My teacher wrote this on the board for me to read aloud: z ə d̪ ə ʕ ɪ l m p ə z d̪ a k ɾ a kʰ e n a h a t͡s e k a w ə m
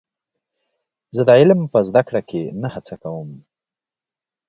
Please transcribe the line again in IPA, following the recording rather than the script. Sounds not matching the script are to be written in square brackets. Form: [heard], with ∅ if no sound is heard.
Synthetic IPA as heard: z ə d̪ ə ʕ ɪ l m p ə z d̪ a k [ɽ] a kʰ e n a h a t͡s [a] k a w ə m